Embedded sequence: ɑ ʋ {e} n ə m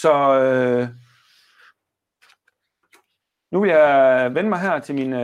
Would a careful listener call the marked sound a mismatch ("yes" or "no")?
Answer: no